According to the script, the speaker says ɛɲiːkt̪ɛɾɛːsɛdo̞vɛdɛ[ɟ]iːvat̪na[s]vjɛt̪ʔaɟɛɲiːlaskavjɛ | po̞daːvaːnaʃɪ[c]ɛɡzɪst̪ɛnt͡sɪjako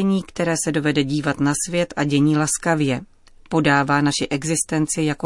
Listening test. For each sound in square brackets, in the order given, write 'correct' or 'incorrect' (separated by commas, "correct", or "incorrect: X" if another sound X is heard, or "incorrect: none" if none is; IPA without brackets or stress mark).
correct, correct, incorrect: ʔ